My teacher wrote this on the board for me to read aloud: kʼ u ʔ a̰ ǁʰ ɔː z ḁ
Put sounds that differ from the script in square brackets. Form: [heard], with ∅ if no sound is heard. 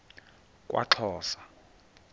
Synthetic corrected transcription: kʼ [w] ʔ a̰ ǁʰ ɔː [s] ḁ

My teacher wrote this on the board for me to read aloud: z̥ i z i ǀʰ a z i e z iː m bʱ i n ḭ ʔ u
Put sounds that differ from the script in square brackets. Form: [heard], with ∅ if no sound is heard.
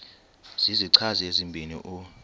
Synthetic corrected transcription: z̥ i z i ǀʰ a z i e z [i] m bʱ i n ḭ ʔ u

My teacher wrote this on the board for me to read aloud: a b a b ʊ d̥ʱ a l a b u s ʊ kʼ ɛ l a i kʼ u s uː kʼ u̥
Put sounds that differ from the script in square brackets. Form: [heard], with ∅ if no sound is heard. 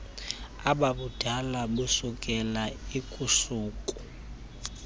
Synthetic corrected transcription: a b a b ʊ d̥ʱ a l a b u s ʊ kʼ ɛ l a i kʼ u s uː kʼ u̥

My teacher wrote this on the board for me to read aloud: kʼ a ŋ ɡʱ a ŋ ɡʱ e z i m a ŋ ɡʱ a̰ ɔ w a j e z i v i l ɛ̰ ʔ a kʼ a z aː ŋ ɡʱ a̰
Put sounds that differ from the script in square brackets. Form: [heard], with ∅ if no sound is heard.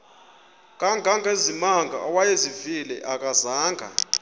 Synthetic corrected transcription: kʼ a ŋ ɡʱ a ŋ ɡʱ e z i m a ŋ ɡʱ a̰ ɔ w a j e z i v i l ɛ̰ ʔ a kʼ a z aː ŋ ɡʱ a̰

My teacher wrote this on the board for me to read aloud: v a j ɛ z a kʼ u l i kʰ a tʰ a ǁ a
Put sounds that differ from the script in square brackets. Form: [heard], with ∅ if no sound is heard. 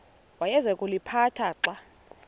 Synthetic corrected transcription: [w] a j ɛ z [ɛ] kʼ u l i [pʰ] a tʰ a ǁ a

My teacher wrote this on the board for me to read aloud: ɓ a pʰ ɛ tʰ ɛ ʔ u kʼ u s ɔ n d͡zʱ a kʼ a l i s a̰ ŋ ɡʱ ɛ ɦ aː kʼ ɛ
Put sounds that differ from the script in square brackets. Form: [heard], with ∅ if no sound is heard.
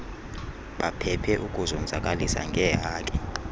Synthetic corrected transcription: ɓ a pʰ ɛ [pʰ] ɛ ʔ u kʼ u [z] ɔ n d͡zʱ a kʼ a l i s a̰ ŋ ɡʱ ɛ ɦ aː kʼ ɛ

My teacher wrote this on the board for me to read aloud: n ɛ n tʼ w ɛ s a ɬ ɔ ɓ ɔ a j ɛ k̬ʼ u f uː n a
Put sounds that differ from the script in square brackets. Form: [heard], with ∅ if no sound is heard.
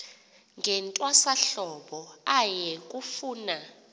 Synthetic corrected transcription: [ŋ] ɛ n tʼ w [a] s a ɬ ɔ ɓ ɔ a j ɛ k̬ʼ u f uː n a

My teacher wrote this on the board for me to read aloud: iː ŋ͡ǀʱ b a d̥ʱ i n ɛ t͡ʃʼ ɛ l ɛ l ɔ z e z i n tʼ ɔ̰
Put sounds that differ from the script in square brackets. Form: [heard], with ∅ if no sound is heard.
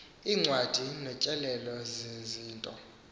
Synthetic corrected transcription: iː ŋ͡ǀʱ [w] a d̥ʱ i n ɛ t͡ʃʼ ɛ l ɛ l ɔ z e z [iː] n tʼ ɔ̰

